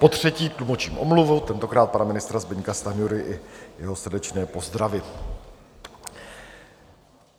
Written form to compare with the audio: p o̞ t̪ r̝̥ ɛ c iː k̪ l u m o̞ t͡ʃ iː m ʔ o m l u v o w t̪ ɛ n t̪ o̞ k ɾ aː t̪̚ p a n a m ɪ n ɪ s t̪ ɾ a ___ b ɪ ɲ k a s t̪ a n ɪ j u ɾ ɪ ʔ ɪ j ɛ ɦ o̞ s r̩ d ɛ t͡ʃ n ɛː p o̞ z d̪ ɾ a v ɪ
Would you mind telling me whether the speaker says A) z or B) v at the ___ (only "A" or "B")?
A